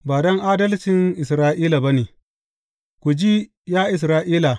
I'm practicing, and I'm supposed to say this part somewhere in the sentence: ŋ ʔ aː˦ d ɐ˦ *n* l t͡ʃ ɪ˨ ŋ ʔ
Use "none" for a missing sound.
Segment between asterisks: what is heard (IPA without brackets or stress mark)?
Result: none